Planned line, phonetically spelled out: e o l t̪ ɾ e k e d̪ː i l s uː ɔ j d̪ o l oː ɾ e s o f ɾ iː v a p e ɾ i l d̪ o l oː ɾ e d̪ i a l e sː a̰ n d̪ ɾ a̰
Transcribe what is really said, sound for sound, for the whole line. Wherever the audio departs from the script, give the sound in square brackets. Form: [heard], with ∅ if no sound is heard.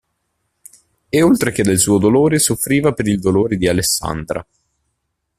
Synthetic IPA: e o l t̪ ɾ e k e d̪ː [e] l s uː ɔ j d̪ o l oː ɾ e s o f ɾ iː v a p e ɾ i l d̪ o l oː ɾ e d̪ i a l e sː a̰ n d̪ ɾ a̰